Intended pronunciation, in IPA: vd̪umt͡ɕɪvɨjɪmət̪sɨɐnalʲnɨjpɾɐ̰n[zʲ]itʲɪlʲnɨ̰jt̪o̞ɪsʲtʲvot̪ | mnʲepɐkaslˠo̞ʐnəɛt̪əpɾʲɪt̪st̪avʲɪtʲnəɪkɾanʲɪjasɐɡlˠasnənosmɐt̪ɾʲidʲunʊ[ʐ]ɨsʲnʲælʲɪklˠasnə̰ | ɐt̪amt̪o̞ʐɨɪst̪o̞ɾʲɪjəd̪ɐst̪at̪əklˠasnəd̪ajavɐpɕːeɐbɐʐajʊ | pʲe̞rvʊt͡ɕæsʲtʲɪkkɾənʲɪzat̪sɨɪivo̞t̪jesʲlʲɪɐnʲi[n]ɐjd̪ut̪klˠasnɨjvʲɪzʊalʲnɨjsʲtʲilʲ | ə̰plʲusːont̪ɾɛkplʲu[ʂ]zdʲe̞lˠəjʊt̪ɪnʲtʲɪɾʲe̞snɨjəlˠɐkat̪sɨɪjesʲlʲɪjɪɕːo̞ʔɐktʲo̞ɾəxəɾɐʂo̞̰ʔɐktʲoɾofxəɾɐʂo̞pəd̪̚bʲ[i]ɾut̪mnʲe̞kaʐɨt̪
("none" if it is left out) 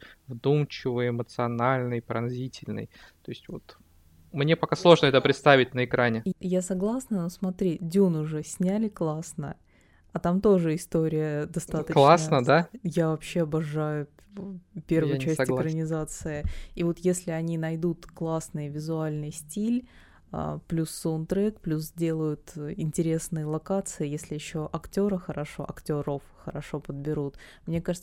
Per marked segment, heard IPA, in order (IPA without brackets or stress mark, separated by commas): zʲ, ʐ, n, s, ɪ